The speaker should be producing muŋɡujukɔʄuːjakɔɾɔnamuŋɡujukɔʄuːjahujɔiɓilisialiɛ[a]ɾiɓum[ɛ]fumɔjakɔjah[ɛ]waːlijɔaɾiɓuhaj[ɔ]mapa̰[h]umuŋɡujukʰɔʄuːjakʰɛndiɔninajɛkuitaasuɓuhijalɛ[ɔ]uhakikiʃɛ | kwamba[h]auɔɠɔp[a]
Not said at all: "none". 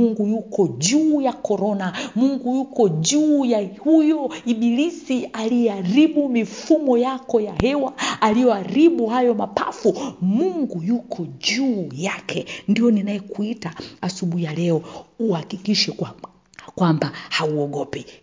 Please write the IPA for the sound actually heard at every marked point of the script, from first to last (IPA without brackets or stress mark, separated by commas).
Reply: a, i, ɛ, ɔ, f, ɔ, h, ɛ